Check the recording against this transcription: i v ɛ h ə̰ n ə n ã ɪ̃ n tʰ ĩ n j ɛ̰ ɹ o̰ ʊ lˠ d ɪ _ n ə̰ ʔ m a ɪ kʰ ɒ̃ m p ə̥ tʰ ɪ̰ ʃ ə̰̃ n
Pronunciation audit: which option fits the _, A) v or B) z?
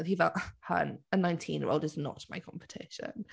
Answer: B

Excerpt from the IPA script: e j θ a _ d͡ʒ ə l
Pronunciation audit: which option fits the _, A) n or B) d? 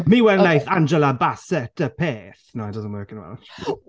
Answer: A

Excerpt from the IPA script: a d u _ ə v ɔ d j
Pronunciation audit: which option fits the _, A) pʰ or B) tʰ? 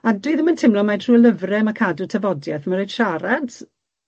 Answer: B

